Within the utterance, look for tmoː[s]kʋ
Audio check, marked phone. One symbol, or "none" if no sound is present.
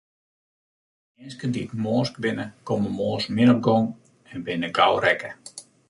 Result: s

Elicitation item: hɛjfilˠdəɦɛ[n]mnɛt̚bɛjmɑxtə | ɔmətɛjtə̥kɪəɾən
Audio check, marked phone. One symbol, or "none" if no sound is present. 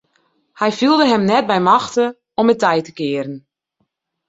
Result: none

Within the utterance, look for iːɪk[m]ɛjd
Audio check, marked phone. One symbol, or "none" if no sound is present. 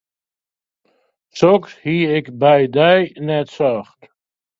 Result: b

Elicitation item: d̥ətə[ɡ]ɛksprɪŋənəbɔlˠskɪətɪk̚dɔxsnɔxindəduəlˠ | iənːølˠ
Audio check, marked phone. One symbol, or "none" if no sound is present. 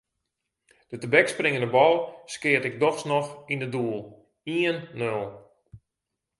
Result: b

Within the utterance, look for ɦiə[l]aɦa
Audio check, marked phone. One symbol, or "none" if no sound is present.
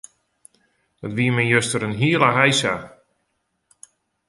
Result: l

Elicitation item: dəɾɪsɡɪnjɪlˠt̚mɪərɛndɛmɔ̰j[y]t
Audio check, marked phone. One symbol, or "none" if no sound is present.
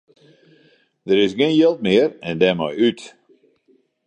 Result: y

